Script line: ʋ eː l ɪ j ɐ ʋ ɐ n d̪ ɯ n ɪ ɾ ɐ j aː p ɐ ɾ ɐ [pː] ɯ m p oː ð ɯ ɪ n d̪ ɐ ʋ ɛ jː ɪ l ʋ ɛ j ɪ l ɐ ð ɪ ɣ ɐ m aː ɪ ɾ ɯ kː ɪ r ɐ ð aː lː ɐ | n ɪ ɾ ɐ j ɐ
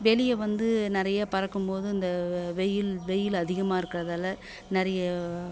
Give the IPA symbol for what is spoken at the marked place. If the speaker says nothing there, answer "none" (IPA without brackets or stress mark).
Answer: kː